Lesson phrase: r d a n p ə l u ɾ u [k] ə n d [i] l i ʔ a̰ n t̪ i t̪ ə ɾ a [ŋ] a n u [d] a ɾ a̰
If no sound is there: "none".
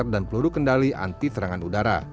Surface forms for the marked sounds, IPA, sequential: k, a, ŋ, d

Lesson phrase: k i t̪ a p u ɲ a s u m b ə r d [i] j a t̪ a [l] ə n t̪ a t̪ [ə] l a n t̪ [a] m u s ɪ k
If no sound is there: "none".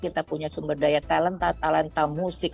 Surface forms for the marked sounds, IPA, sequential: a, l, a, a

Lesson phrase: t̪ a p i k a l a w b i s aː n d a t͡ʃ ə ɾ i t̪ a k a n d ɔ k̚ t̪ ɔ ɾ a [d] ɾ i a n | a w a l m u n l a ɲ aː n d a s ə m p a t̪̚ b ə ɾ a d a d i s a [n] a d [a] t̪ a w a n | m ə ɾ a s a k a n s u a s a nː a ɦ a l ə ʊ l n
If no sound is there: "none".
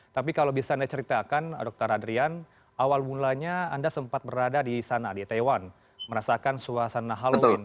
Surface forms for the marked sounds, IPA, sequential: d, n, i

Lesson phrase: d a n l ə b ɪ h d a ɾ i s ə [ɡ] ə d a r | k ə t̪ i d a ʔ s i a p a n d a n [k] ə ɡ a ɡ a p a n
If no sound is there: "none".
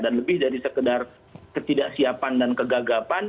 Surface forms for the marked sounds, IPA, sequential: k, k

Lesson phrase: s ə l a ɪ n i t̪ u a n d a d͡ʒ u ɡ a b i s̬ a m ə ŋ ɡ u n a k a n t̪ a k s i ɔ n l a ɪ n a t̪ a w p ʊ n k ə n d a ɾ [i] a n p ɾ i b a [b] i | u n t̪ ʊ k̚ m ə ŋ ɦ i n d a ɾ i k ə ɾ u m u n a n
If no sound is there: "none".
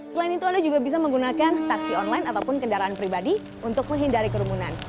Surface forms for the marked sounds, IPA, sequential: a, d

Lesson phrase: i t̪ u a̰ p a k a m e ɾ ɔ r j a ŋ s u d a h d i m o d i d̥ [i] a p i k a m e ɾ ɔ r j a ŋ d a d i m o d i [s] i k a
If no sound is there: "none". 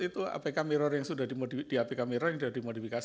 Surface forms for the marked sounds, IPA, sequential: i, f

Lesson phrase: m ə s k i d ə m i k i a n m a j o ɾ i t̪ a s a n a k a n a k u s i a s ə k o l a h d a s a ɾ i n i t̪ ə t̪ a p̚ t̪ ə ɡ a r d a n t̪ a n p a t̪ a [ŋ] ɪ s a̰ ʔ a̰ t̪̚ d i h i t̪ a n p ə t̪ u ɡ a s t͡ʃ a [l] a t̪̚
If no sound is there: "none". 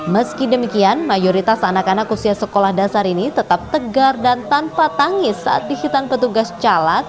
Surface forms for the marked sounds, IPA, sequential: ŋ, l

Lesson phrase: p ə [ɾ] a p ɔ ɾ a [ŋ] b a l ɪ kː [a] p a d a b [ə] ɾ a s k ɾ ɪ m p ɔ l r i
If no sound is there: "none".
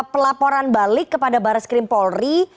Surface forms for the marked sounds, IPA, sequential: l, n, ə, a

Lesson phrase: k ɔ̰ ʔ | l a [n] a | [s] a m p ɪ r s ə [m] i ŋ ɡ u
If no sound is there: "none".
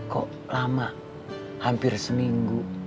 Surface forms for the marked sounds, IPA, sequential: m, h, m

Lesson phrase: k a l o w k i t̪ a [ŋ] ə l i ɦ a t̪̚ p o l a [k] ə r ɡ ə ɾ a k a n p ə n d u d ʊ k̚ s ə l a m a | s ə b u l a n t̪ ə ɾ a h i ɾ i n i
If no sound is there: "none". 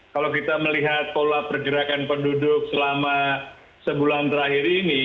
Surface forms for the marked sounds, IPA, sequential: m, p

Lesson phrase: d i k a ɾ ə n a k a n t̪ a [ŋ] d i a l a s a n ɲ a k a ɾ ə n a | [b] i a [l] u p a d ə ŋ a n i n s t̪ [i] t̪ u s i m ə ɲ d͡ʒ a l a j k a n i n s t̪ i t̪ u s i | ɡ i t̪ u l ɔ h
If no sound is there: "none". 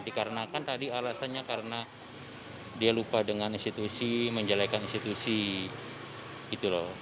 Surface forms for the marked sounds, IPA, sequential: none, d, l, i

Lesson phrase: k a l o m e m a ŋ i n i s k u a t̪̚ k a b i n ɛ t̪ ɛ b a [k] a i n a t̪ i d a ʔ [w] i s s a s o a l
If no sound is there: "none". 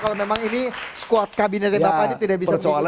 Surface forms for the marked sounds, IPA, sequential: p, b

